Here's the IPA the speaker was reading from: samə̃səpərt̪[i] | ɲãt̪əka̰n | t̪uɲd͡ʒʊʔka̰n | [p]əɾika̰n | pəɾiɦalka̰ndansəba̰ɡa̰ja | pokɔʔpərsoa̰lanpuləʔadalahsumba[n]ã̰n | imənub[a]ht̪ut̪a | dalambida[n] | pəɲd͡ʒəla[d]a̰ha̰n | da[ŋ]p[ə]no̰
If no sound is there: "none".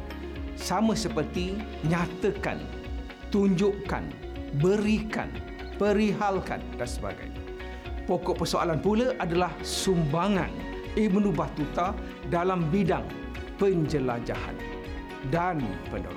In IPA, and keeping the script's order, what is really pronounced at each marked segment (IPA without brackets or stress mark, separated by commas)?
i, b, ŋ, a, ŋ, d͡ʒ, n, ə